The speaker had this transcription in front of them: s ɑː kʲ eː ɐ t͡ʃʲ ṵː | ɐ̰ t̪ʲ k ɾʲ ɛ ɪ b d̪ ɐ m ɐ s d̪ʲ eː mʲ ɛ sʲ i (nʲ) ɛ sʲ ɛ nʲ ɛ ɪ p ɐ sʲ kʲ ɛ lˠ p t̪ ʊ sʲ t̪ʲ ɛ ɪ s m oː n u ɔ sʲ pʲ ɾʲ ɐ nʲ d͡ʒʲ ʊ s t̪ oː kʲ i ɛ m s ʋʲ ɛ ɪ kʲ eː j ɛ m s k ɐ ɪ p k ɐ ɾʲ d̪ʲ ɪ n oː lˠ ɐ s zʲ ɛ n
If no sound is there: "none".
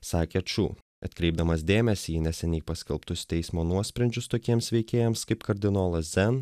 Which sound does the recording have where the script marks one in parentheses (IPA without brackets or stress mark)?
nʲ